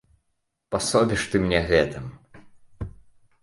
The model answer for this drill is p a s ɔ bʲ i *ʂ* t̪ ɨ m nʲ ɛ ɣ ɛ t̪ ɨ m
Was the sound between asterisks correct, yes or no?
yes